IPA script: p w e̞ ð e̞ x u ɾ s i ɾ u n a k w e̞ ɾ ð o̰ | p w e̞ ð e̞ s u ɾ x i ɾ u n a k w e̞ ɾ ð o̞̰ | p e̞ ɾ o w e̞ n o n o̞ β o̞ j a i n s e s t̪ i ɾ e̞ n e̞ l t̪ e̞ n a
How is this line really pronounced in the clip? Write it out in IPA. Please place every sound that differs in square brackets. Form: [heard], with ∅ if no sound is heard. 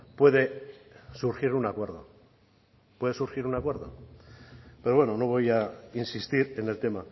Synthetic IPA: p w e̞ ð e̞ [s] u ɾ [x] i ɾ u n a k w e̞ ɾ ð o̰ | p w e̞ ð e̞ s u ɾ x i ɾ u n a k w e̞ ɾ ð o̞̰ | p e̞ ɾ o w e̞ n o n o̞ β o̞ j a i n s [i] s t̪ i ɾ e̞ n e̞ l t̪ e̞ [m] a